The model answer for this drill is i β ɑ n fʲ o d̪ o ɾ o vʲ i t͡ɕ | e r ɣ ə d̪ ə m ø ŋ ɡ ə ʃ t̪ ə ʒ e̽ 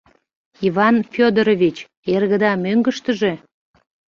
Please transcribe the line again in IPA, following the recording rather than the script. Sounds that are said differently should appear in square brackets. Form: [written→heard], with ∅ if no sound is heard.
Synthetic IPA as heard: i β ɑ n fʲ o d̪ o ɾ o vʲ i t͡ɕ | e r ɣ ə d̪ [ə→ɑ] m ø ŋ ɡ ə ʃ t̪ ə ʒ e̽